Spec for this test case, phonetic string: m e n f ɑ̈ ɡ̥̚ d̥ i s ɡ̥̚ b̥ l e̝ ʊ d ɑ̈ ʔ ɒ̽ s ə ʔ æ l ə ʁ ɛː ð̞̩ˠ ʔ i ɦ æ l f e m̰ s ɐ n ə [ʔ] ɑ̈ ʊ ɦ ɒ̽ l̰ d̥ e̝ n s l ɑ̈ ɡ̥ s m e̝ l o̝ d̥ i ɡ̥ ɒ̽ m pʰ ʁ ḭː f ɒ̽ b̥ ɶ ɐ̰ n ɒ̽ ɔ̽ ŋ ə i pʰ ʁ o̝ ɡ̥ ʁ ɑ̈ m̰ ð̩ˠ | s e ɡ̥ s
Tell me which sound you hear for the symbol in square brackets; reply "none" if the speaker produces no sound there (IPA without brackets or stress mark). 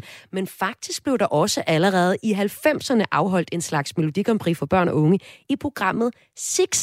ʔ